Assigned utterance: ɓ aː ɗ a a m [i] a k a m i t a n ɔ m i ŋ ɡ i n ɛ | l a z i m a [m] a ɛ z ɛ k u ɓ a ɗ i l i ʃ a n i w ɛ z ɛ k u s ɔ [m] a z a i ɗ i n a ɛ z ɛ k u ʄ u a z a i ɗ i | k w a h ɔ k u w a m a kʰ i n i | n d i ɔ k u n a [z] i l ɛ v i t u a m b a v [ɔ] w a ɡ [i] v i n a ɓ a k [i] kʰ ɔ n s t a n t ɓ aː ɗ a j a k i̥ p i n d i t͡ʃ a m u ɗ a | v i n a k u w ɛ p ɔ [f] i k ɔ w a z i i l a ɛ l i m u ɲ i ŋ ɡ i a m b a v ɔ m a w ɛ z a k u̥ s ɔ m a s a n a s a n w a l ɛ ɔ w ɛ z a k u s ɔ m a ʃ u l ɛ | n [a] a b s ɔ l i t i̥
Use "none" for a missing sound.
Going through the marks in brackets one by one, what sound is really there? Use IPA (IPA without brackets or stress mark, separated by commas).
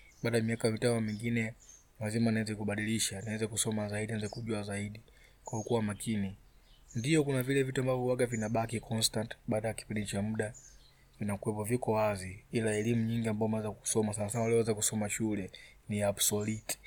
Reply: i, n, m, v, ɔ, a, i, v, i